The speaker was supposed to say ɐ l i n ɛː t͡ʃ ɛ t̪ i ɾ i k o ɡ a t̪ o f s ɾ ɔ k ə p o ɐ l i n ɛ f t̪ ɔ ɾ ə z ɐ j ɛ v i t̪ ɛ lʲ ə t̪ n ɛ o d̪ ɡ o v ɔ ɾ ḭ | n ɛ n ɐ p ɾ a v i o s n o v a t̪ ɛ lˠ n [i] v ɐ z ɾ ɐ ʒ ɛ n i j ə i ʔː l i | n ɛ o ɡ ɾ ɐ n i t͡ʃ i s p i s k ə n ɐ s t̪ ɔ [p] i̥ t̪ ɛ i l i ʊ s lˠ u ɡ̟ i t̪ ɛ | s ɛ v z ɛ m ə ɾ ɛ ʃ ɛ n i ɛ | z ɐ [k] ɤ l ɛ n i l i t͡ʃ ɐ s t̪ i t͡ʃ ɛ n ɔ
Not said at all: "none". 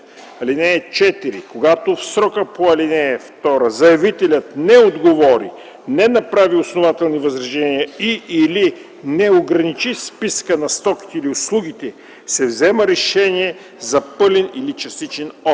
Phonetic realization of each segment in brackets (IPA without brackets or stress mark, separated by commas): i, k, p